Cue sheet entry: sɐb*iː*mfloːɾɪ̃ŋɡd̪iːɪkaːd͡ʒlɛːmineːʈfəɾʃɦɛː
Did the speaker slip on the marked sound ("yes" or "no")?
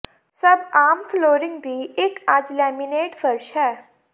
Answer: yes